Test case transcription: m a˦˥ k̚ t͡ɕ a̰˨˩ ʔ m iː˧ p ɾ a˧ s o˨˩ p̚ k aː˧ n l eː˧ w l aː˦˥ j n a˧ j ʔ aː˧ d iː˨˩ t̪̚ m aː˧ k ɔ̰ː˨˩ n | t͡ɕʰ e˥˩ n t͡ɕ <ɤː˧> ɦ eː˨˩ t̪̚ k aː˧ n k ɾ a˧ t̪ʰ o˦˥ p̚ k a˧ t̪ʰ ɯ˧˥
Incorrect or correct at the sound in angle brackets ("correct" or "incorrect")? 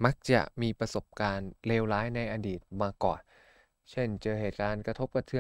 correct